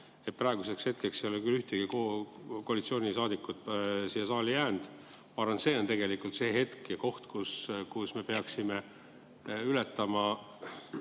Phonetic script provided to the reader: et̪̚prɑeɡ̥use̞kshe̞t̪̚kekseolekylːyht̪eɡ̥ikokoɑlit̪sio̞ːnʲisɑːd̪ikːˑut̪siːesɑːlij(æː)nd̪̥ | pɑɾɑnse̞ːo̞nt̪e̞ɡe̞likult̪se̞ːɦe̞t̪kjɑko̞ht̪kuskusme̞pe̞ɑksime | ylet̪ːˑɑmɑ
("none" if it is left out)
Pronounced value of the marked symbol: æː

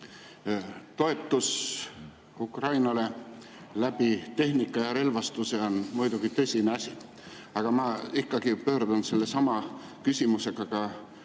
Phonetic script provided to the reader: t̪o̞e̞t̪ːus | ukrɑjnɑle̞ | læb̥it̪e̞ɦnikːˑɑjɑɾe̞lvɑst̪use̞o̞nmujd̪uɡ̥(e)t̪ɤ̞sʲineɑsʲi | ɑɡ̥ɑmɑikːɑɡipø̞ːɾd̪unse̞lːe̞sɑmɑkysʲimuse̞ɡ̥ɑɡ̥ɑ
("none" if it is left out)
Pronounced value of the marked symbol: i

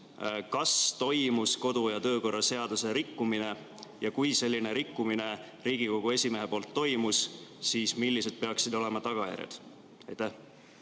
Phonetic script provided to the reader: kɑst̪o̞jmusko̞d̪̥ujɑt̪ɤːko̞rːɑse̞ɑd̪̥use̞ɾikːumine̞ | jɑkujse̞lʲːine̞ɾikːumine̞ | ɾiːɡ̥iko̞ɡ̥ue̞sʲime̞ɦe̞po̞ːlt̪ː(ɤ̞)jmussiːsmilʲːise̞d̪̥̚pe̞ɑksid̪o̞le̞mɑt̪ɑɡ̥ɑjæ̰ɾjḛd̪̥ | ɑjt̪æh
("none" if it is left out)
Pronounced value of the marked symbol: o̞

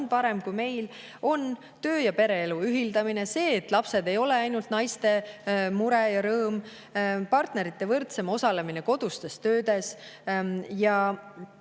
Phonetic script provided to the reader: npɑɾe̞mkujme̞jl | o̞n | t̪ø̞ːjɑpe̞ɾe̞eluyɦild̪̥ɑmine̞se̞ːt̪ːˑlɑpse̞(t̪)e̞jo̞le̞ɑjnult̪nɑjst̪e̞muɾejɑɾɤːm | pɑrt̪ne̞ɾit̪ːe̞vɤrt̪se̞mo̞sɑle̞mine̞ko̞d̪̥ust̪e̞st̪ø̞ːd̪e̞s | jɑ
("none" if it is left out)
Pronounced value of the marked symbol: d̪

